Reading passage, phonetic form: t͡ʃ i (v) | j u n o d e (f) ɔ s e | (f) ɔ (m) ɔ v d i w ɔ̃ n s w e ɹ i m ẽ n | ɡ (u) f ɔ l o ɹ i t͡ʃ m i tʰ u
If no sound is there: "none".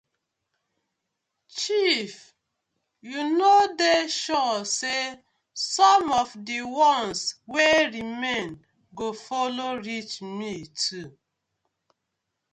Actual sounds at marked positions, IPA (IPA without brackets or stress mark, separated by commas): f, ʃ, s, m, o